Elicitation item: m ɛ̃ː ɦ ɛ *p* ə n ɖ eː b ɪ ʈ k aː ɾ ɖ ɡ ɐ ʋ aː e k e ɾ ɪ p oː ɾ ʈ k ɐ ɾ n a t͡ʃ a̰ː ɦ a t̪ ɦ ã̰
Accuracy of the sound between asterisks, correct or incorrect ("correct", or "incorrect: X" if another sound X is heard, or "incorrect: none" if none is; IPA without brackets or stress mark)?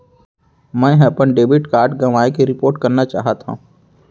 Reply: correct